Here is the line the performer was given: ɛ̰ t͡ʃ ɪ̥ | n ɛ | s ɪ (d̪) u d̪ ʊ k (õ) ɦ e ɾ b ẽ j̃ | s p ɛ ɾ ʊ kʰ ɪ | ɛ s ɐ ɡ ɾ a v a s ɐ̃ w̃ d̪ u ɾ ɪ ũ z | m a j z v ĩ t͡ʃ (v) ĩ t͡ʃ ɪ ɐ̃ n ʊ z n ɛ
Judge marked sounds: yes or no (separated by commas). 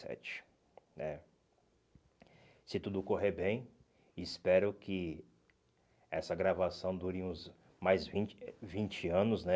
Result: no, no, yes